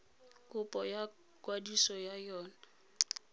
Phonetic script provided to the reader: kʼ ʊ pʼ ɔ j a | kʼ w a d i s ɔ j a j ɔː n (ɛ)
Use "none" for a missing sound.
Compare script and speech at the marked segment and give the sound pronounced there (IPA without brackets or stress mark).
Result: a